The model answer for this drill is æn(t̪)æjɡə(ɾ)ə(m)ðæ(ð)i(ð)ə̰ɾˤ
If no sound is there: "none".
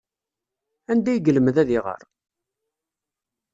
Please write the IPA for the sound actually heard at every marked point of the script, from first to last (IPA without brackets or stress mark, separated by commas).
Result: d̪, l, m, ð, ʁ